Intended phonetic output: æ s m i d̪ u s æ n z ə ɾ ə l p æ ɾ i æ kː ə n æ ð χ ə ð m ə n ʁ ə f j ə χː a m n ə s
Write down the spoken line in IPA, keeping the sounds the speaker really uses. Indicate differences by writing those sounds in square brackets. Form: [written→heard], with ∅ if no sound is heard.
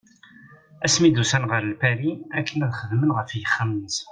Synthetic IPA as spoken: æ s m i d̪ u s æ n [z→ʁ] ə ɾ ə l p æ ɾ i æ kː ə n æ ð χ ə ð m ə n ʁ ə f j ə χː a m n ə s